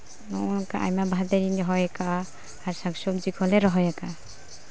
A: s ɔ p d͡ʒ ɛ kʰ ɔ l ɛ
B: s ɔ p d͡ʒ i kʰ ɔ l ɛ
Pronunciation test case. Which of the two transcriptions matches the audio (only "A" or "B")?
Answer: B